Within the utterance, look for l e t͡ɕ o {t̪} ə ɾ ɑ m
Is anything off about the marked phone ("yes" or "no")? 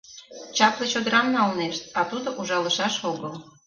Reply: yes